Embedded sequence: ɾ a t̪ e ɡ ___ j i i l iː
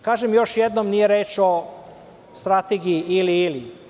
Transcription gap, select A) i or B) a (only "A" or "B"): A